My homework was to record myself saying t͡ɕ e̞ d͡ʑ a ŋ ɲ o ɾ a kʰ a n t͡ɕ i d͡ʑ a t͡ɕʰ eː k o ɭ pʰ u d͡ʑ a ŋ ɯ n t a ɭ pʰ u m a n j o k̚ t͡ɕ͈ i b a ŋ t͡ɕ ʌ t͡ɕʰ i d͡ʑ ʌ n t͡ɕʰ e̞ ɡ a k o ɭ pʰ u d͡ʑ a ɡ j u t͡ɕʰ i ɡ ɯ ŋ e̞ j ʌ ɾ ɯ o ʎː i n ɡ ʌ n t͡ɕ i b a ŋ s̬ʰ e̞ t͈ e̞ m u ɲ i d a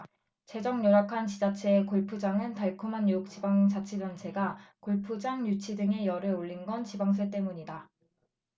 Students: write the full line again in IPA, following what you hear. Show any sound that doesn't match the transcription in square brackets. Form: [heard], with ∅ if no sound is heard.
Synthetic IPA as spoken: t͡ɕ e̞ d͡ʑ [ʌ] ŋ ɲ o ɾ a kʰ a n t͡ɕ i d͡ʑ a t͡ɕʰ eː k o ɭ pʰ u d͡ʑ a ŋ ɯ n t a ɭ [kʰ] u m a n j o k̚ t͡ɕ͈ i b a ŋ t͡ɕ [a] t͡ɕʰ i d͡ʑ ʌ n t͡ɕʰ e̞ ɡ a k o ɭ pʰ u d͡ʑ a [ŋ] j u t͡ɕʰ i [d] ɯ ŋ e̞ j ʌ ɾ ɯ o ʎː i n ɡ ʌ n t͡ɕ i b a ŋ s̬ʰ e̞ t͈ e̞ m u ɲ i d a